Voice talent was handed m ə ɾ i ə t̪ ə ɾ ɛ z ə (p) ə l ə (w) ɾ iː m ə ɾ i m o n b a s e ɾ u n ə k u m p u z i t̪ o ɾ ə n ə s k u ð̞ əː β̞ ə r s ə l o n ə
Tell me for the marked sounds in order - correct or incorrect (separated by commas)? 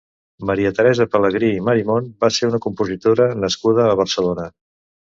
correct, incorrect